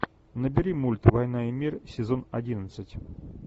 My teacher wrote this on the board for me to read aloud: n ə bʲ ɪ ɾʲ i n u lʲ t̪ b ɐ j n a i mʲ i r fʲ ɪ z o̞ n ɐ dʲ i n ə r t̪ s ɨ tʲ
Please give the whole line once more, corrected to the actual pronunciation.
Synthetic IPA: n ə bʲ ɪ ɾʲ i m u lʲ t̪ v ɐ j n a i mʲ i r sʲ ɪ z o̞ n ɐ dʲ i n ə t̪ s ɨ tʲ